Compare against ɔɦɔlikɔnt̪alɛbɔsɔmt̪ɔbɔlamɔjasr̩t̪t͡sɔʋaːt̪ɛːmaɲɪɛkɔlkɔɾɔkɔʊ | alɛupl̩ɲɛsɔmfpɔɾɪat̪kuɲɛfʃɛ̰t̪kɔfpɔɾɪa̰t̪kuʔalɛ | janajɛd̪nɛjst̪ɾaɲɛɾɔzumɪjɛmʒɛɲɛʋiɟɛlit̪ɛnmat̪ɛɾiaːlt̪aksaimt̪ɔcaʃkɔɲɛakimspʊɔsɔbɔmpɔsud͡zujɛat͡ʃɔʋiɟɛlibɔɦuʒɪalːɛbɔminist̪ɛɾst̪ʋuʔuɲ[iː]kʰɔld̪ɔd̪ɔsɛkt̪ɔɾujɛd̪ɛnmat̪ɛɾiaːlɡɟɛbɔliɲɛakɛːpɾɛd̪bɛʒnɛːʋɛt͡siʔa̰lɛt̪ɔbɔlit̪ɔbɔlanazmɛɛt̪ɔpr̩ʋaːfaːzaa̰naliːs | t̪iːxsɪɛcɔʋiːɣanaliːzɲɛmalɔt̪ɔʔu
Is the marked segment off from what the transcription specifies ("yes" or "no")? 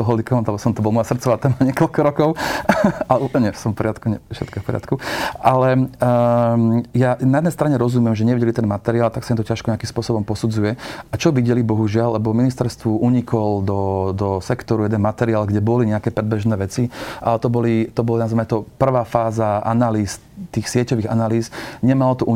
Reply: yes